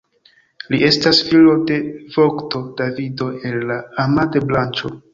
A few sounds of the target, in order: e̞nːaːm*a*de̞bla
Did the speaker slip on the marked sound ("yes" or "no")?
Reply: no